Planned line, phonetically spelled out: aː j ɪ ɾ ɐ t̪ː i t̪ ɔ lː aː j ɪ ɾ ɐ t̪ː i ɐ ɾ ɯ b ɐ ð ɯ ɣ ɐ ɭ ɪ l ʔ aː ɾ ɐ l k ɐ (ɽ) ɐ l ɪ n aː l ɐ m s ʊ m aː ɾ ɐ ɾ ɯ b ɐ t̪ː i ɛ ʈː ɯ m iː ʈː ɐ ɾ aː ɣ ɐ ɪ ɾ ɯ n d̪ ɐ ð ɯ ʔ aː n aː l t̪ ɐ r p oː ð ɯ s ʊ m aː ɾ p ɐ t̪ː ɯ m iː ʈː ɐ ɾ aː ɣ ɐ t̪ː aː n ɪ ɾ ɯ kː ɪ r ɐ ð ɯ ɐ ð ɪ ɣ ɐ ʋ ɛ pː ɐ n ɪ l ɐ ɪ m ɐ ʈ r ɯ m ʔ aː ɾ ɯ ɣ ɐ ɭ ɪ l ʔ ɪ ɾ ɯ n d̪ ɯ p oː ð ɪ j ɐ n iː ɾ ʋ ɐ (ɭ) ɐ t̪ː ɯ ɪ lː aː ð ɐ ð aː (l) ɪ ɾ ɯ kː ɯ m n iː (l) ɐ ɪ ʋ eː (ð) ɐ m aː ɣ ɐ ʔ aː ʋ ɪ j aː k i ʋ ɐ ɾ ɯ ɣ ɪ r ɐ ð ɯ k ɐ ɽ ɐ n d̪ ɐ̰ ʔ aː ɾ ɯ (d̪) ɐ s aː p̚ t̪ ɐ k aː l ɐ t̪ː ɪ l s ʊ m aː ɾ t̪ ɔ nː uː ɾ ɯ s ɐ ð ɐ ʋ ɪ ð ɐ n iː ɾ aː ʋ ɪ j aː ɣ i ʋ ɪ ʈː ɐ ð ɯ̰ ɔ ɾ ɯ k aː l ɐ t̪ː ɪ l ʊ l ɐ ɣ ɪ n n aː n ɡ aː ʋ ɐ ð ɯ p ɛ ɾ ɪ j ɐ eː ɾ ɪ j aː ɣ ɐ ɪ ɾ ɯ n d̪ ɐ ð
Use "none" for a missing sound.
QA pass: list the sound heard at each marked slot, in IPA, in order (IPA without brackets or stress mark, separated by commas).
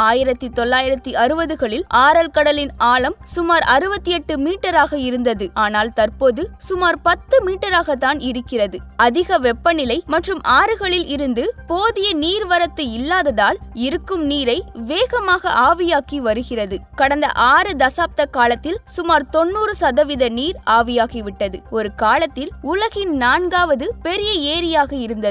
ɽ, ɾ, l, ɾ, ɣ, d̪